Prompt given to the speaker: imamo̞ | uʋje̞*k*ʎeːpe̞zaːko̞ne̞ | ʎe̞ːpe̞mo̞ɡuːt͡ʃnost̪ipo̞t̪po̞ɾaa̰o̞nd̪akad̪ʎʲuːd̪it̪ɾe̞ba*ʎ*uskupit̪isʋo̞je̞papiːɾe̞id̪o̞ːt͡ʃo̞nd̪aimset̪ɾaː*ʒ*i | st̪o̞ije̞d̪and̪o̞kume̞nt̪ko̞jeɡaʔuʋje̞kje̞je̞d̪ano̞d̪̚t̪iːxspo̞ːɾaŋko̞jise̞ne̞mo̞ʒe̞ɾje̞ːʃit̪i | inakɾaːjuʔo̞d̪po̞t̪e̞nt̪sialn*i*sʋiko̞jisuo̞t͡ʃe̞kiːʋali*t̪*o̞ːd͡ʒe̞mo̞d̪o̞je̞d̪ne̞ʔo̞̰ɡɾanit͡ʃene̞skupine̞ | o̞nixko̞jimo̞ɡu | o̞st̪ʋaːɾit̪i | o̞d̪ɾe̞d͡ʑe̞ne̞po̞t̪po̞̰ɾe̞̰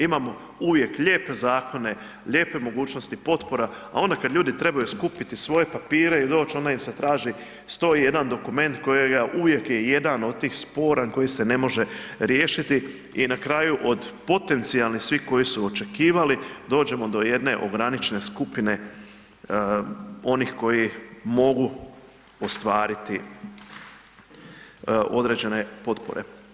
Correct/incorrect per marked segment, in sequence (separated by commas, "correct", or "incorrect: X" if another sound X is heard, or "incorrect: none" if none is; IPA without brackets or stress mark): correct, incorrect: j, correct, correct, incorrect: d̪